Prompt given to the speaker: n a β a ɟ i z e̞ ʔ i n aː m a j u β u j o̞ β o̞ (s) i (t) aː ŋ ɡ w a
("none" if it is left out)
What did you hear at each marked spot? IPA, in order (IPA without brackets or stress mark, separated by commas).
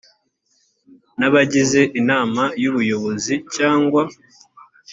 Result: z, c